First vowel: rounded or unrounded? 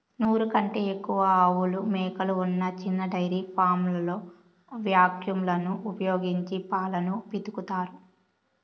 rounded